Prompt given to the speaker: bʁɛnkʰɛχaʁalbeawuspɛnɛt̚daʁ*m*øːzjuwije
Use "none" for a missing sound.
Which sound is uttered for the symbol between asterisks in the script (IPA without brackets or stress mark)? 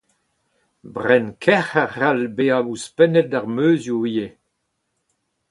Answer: m